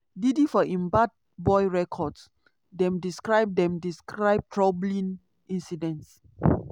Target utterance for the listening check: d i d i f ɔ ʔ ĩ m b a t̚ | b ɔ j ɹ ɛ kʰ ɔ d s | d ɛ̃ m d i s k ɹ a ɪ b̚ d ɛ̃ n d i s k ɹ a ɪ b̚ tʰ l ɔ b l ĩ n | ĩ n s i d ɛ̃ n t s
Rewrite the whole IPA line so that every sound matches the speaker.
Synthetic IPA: d i d i f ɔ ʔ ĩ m b a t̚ | b ɔ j ɹ ɛ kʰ ɔ d s | d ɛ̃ m d i s k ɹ a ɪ b̚ d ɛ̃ m d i s k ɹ a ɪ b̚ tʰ ɹ ɔ b l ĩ n | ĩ n s i d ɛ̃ n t s